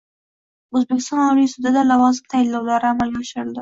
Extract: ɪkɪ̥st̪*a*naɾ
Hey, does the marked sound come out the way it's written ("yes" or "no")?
no